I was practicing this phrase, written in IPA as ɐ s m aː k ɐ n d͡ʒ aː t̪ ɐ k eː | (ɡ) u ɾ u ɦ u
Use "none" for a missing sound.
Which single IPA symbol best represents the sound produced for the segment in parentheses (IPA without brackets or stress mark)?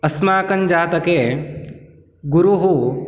ɡ